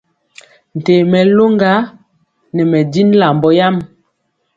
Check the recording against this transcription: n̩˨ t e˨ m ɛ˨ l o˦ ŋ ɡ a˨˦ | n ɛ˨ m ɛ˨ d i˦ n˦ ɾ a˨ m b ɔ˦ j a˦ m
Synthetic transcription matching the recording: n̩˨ t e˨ m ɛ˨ l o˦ ŋ ɡ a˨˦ | n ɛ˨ m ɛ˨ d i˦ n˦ l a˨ m b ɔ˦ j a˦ m